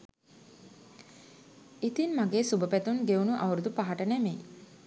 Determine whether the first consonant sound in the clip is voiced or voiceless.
voiceless